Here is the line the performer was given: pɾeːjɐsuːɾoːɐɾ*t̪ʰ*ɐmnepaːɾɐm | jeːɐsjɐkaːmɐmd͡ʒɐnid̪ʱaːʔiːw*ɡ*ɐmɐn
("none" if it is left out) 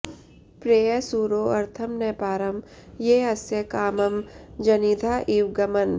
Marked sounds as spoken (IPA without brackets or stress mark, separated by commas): t̪ʰ, ɡ